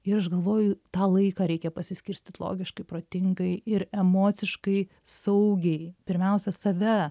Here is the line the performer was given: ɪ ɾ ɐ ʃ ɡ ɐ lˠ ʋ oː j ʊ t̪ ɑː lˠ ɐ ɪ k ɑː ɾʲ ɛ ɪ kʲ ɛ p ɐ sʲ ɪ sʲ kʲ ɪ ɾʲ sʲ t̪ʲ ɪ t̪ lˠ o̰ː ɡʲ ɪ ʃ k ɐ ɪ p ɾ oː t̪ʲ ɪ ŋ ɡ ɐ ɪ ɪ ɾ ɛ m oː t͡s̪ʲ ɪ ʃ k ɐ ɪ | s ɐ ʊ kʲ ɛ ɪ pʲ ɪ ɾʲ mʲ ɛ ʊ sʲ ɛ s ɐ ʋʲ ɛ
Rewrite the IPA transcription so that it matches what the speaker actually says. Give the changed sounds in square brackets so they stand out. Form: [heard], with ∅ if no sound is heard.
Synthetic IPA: ɪ ɾ ɐ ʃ ɡ ɐ lˠ ʋ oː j ʊ t̪ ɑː lˠ ɐ ɪ k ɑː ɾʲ ɛ ɪ kʲ ɛ p ɐ sʲ ɪ sʲ kʲ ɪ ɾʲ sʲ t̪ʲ ɪ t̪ lˠ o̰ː ɡʲ ɪ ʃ k ɐ ɪ p ɾ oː t̪ʲ ɪ ŋ ɡ ɐ ɪ ɪ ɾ ɛ m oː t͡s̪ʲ ɪ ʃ k ɐ ɪ | s ɐ ʊ [ɡʲ] ɛ ɪ pʲ ɪ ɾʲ mʲ ɛ ʊ sʲ ɛ s ɐ ʋʲ ɛ